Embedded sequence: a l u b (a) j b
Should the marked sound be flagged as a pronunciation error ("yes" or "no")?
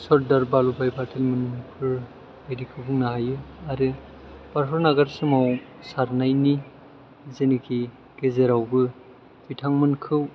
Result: no